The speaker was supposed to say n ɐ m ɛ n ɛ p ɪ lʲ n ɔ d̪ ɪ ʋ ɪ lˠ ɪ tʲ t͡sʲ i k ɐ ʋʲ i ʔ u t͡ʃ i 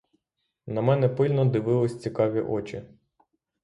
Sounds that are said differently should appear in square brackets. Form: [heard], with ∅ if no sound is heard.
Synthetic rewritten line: n ɐ m ɛ n ɛ p ɪ lʲ n ɔ d̪ ɪ ʋ ɪ lˠ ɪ [sʲ] t͡sʲ i k [ɑ] ʋʲ i ʔ [ɔ] t͡ʃ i